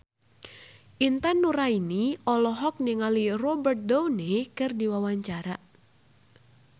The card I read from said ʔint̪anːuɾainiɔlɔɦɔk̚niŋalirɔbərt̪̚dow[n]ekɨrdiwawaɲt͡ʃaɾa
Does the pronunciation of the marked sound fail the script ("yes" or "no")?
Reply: no